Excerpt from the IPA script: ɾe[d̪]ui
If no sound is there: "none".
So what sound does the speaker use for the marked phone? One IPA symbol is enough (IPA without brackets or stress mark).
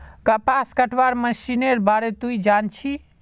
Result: t̪